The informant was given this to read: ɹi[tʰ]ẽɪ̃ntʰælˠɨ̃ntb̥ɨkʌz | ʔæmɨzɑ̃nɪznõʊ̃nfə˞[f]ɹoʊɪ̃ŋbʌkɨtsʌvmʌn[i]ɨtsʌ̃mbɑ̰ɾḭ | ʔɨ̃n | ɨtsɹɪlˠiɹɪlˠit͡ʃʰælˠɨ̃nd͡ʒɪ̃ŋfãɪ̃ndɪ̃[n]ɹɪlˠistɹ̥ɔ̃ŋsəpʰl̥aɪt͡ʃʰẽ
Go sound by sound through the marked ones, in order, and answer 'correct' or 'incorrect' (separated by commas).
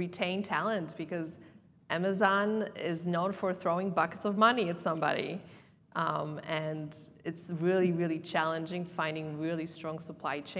correct, incorrect, correct, incorrect